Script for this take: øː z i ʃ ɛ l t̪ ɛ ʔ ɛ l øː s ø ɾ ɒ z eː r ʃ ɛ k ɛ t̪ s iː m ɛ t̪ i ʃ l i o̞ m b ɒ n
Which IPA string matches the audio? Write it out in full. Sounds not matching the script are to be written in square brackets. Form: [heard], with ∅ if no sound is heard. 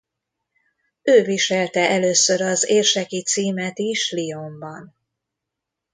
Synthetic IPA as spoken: øː [v] i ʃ ɛ l t̪ ɛ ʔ ɛ l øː s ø ɾ ɒ z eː r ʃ ɛ k [i] t̪ s iː m ɛ t̪ i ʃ l i o̞ m b ɒ n